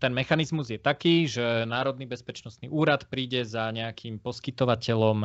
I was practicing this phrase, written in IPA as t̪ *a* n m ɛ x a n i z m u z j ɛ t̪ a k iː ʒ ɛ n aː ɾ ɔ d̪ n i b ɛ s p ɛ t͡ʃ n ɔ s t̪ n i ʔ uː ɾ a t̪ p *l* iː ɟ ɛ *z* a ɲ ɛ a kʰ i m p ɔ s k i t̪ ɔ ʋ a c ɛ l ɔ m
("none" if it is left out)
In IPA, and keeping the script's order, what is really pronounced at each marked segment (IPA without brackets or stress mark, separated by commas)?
ɛ, ɾ, z